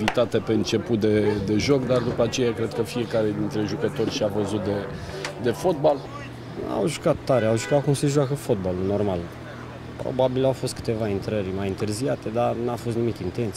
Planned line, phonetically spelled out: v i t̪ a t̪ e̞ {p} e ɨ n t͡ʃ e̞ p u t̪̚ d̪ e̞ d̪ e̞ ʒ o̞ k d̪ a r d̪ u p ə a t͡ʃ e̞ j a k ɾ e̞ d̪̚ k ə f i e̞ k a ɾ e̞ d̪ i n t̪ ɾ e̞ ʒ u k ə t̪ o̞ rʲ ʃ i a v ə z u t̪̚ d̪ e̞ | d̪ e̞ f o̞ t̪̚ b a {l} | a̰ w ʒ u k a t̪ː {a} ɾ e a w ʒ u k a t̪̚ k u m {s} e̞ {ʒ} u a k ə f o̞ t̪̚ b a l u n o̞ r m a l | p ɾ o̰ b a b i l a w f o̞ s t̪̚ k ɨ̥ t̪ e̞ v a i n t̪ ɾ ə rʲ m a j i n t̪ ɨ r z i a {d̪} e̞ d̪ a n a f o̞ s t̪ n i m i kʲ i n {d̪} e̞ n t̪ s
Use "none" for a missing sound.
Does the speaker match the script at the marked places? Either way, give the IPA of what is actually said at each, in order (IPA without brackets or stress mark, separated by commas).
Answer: p, l, a, s, ʒ, t̪, t̪